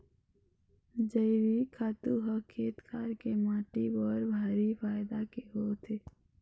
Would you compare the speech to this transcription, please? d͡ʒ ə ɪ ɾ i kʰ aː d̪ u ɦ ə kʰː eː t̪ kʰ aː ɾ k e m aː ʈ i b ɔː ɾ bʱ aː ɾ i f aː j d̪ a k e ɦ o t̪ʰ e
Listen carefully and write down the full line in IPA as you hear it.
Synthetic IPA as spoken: d͡ʒ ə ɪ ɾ i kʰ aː t̪ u ɦ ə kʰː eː t̪ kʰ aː ɾ k e m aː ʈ i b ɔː ɾ bʱ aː ɾ i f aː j d̪ a k e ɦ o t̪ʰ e